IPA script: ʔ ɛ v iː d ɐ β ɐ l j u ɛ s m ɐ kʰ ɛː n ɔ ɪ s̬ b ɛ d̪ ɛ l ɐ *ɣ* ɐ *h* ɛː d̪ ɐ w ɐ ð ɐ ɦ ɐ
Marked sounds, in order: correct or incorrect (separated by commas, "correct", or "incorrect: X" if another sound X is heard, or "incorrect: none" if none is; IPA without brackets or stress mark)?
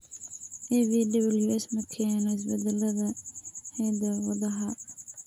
incorrect: ð, correct